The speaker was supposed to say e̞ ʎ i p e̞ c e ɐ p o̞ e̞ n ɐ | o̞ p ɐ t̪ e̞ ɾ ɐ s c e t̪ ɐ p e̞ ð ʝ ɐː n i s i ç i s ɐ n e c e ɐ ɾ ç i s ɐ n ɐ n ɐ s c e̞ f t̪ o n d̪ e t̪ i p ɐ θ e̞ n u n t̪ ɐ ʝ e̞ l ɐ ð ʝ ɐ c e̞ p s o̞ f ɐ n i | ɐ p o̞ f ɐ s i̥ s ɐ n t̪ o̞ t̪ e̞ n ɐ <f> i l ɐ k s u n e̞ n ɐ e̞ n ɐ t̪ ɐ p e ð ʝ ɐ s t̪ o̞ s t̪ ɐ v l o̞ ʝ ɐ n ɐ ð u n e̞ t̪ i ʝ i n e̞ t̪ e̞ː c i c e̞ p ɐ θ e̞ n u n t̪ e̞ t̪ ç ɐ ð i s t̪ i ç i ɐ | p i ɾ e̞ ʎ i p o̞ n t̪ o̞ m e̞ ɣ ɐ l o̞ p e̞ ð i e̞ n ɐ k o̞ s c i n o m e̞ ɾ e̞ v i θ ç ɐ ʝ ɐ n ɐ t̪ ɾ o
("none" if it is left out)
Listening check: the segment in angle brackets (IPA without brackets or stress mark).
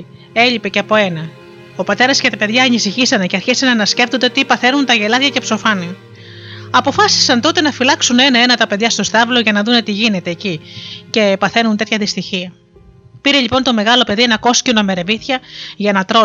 f